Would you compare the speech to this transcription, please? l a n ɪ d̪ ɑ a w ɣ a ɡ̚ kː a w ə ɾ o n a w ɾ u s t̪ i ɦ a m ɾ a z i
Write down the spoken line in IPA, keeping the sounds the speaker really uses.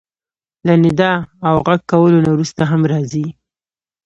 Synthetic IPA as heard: l a n ɪ d̪ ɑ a w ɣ a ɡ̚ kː a w ə l o n a w ɾ u s t̪ a ɦ a m ɾ ɑ z i